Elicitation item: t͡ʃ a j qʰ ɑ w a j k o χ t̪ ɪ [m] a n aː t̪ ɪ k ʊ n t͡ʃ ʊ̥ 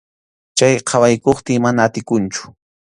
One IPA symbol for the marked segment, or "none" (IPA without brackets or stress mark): m